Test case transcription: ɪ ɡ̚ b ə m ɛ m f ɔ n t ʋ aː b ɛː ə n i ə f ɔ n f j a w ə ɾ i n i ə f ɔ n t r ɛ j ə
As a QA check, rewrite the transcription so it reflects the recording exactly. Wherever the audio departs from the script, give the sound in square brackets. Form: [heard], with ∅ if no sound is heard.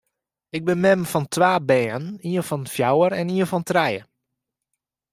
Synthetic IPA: ɪ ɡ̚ b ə m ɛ m f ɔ n t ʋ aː b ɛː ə n i ə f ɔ n f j a w ə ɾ [ɛ] n i ə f ɔ n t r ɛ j ə